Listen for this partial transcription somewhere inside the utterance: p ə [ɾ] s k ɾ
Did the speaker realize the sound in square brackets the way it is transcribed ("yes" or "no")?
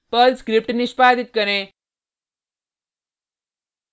no